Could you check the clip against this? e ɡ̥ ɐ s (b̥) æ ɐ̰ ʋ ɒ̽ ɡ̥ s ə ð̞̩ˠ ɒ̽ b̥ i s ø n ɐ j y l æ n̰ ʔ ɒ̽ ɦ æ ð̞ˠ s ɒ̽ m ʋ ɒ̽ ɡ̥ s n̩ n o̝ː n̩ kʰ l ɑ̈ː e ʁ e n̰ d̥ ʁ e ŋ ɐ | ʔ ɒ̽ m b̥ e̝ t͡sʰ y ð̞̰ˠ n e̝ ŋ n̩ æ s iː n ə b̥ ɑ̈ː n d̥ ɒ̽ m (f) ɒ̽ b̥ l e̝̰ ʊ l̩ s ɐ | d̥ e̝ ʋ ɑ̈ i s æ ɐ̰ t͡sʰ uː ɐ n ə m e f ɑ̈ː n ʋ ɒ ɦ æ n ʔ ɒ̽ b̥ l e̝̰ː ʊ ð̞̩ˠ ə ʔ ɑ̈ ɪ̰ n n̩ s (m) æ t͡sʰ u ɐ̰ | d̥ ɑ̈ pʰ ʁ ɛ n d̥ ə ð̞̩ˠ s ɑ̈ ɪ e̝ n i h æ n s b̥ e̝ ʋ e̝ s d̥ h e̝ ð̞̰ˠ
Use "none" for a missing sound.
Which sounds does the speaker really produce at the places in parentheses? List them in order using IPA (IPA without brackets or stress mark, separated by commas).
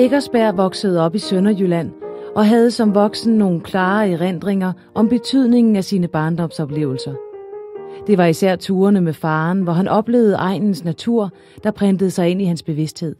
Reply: b̥, s, n